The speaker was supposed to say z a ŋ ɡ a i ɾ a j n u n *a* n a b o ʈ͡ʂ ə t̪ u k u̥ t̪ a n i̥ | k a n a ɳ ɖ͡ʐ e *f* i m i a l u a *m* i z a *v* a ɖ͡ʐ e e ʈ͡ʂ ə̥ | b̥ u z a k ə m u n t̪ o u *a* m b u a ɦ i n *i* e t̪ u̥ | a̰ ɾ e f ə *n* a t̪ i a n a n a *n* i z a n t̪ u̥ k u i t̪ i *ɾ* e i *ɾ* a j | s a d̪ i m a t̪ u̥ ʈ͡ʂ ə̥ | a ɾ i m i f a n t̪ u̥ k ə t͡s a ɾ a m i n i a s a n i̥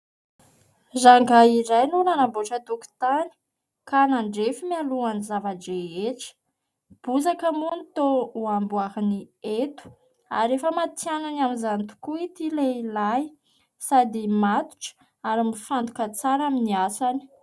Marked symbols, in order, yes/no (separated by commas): yes, yes, no, yes, yes, yes, no, no, no, no